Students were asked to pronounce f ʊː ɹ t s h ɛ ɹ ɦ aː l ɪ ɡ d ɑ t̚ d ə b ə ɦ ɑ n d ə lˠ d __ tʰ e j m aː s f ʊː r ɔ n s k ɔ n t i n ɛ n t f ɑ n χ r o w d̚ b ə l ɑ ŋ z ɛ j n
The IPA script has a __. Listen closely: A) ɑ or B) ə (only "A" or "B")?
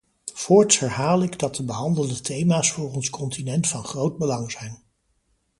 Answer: B